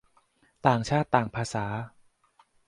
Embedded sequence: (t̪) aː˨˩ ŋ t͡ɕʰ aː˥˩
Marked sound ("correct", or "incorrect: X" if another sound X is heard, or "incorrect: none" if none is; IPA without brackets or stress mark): correct